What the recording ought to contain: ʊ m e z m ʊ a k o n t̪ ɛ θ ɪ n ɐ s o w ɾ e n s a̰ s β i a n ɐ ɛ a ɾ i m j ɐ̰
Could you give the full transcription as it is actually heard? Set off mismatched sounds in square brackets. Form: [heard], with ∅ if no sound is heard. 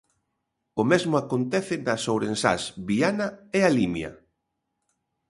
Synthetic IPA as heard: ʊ m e z m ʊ a k o n t̪ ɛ θ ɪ n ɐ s o w ɾ e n s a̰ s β i a n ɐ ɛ a [l] i m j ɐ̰